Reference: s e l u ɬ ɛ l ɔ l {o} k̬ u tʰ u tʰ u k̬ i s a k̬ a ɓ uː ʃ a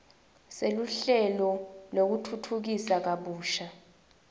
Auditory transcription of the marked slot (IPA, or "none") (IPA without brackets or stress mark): o